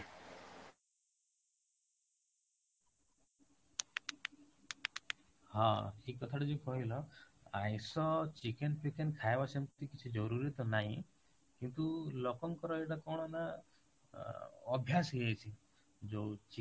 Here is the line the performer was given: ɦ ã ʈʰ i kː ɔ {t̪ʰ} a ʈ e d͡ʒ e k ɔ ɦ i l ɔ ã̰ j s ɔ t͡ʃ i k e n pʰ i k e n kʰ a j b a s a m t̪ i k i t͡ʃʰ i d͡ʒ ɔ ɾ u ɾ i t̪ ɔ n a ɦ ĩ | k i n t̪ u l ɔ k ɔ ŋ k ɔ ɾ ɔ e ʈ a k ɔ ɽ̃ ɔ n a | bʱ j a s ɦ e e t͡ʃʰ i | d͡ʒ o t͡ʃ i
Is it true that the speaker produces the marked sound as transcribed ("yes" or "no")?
yes